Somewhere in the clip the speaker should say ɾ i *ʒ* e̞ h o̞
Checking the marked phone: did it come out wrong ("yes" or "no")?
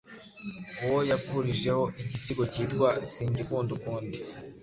no